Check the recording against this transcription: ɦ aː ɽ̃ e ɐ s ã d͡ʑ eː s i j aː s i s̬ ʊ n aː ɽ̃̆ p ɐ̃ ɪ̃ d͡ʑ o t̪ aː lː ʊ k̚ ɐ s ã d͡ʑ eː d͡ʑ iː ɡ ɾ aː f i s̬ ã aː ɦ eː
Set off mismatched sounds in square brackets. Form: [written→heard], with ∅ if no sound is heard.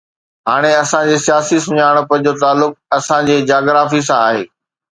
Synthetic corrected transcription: ɦ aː ɽ̃ e ɐ s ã d͡ʑ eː s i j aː s i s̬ ʊ [n→ɲ] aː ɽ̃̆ p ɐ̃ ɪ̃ d͡ʑ o t̪ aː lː ʊ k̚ ɐ s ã d͡ʑ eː d͡ʑ [iː→aː] ɡ ɾ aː f i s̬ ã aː ɦ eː